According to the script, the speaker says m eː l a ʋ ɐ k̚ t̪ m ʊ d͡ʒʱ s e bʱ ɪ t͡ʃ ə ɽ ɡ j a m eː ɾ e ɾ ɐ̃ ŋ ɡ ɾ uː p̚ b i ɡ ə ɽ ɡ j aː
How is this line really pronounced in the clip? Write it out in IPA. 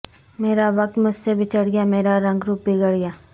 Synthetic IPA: m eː ɾ a ʋ ɐ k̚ t̪ m ʊ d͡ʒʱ s e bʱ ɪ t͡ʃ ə ɽ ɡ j a m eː ɾ a ɾ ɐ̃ ŋ ɡ ɾ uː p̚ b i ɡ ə ɽ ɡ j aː